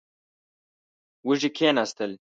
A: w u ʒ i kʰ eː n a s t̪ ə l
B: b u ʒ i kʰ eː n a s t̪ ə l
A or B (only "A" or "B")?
A